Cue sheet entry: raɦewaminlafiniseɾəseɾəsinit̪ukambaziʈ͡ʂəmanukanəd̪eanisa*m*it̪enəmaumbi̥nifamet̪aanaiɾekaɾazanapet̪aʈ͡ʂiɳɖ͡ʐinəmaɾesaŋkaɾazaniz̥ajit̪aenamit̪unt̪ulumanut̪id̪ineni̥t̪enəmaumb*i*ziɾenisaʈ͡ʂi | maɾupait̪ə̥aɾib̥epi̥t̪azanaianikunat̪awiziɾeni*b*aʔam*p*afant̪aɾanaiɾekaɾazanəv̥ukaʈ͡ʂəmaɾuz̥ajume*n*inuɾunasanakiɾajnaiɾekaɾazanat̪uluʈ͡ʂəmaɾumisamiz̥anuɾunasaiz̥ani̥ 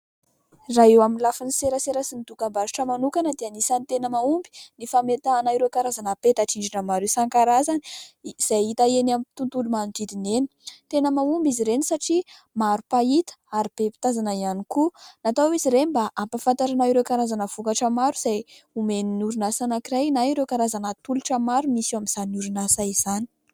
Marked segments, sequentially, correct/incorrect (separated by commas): incorrect, correct, correct, correct, correct